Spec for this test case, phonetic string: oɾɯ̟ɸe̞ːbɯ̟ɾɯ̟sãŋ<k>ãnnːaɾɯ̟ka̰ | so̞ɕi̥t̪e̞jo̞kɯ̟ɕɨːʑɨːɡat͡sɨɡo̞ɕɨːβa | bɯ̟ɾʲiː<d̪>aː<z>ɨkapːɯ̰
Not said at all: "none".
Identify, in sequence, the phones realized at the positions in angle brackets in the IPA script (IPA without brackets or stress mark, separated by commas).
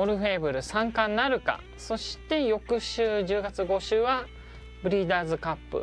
k, d̪, z